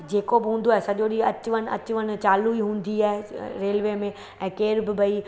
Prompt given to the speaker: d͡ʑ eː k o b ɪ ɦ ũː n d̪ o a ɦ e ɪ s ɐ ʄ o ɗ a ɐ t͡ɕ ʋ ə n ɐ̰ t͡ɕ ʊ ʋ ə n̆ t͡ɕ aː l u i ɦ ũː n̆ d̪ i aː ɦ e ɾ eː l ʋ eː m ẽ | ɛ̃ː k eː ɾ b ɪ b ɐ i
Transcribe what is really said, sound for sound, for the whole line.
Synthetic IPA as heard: d͡ʑ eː k o b ɪ ɦ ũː n d̪ o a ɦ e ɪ s ɐ ʄ o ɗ i ɐ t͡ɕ ʋ ə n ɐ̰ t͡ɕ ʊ ʋ ə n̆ t͡ɕ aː l u i ɦ ũː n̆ d̪ i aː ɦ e ɾ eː l ʋ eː m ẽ | ɛ̃ː k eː ɾ b ɪ b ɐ i